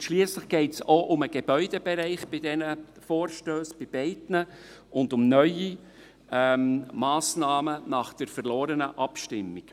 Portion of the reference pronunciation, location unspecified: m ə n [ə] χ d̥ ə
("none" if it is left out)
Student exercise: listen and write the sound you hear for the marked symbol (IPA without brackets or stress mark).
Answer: ɑ